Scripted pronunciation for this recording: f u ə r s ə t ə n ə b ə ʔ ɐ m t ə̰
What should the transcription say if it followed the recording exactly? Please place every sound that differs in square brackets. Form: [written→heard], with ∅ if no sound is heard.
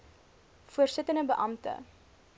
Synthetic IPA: f u ə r s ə t ə n ə b ə ʔ ɐ m t ə̰